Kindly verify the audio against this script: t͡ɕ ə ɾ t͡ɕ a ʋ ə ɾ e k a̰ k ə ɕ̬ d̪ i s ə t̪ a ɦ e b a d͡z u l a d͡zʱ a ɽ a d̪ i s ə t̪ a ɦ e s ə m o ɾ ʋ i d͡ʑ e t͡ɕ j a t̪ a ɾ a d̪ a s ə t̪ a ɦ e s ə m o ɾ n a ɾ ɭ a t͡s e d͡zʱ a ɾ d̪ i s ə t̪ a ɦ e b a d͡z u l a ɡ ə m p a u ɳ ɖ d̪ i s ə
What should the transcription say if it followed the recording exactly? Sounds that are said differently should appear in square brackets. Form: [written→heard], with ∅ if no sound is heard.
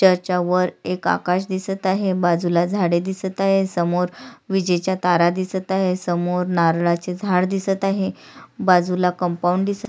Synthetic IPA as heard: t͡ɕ ə ɾ t͡ɕ a ʋ ə ɾ e k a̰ k [ə→a] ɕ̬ d̪ i s ə t̪ a ɦ e b a d͡z u l a d͡zʱ a ɽ [a→e] d̪ i s ə t̪ a ɦ e s ə m o ɾ ʋ i d͡ʑ e t͡ɕ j a t̪ a ɾ a d̪ [a→i] s ə t̪ a ɦ e s ə m o ɾ n a ɾ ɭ a t͡s e d͡zʱ a [ɾ→ɽ] d̪ i s ə t̪ a ɦ e b a d͡z u l a [ɡ→k] ə m p a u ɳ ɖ d̪ i s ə

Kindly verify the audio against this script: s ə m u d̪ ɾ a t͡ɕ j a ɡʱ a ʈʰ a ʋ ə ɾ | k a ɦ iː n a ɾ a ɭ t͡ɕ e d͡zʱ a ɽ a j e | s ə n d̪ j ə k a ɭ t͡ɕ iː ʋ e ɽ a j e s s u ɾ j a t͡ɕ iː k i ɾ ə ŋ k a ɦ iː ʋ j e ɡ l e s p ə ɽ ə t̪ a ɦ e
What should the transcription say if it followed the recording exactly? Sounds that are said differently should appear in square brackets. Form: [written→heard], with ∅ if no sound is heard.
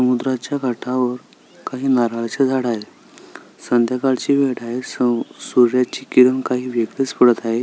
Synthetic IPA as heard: s ə m u d̪ ɾ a t͡ɕ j a ɡʱ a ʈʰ a ʋ ə ɾ | k a ɦ iː n a ɾ a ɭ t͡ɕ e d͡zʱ a ɽ a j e | s ə n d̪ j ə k a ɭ t͡ɕ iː ʋ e ɽ a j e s s u ɾ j a t͡ɕ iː k i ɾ ə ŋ k a ɦ iː ʋ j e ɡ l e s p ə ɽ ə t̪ a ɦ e

